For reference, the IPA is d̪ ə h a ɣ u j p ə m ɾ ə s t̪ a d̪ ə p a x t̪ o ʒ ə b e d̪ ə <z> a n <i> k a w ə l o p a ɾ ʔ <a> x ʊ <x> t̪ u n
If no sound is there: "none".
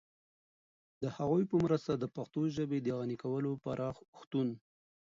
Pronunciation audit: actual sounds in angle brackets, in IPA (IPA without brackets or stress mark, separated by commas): ɣ, i, ɑ, x